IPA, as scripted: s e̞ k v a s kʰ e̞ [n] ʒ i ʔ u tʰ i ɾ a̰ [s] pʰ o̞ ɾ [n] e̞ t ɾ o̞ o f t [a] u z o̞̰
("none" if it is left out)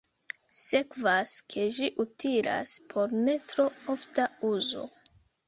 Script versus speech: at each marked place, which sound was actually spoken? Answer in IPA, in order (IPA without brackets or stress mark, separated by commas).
none, s, n, a